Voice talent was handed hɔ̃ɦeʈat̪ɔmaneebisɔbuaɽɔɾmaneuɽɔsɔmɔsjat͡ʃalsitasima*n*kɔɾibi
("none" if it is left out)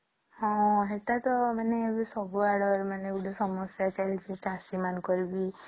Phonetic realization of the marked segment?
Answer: n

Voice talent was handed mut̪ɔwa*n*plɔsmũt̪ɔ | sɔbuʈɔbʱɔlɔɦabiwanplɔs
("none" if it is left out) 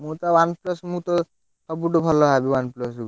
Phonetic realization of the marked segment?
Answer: n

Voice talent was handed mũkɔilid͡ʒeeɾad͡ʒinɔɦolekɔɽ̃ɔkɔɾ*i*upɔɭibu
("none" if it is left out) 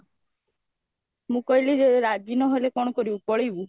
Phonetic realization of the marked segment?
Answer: i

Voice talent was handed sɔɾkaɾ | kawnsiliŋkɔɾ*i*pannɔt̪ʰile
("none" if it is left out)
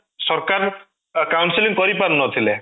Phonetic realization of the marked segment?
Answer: i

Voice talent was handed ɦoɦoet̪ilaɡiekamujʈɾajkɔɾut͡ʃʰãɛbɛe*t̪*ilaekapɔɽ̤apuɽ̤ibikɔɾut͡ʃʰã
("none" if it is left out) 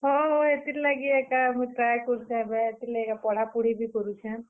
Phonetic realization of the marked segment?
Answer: t̪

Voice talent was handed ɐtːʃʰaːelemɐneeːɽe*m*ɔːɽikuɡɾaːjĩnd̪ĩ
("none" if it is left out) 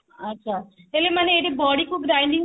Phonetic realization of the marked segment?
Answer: b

